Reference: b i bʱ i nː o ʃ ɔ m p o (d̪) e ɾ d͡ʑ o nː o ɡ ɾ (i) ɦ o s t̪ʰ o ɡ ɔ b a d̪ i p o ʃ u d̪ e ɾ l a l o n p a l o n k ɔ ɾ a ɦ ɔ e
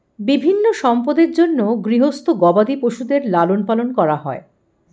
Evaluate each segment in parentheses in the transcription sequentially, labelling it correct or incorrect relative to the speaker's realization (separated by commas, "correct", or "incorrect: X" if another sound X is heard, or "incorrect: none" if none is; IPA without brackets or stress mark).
correct, correct